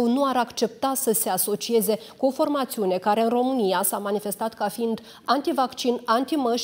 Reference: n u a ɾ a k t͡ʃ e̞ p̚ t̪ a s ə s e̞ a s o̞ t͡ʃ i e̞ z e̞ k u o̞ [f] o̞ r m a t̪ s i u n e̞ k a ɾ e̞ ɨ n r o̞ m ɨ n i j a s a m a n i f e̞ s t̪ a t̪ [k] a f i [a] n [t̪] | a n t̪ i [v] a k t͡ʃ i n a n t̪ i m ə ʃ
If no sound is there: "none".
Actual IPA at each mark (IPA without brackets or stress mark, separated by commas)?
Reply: f, k, i, d̪, v